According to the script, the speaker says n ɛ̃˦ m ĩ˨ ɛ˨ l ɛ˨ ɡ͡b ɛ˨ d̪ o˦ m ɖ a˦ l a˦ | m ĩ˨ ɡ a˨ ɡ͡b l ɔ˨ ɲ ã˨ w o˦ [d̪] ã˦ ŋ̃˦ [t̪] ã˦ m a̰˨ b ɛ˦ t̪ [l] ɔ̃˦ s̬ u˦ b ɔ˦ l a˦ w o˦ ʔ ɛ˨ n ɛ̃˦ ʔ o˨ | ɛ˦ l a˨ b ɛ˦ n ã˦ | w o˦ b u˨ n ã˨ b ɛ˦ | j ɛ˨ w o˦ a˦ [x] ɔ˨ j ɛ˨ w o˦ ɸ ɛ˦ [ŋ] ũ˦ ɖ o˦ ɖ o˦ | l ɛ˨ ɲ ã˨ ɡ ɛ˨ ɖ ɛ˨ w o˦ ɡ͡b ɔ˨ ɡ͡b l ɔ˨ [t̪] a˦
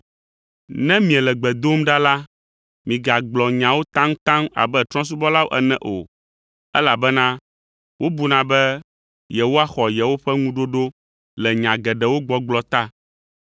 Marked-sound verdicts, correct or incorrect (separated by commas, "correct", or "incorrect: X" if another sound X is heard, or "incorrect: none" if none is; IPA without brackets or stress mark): incorrect: t̪, correct, incorrect: ɾ, correct, correct, correct